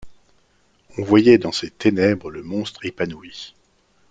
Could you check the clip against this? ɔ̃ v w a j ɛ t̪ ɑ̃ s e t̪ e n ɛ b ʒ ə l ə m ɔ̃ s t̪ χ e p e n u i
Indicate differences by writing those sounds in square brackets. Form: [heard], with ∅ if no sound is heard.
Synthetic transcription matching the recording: ɔ̃ v w a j ɛ [d̪] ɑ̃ s e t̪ e n ɛ b [ʁ] ə l ə m ɔ̃ s t̪ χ e p [a] n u i